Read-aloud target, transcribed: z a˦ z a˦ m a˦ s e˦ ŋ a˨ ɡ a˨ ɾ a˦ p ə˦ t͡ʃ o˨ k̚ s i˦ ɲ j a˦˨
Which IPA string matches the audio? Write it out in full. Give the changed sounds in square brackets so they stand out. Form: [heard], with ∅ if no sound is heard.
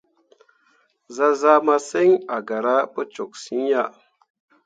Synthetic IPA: z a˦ z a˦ m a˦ s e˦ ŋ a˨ ɡ a˨ ɾ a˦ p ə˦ t͡ʃ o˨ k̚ s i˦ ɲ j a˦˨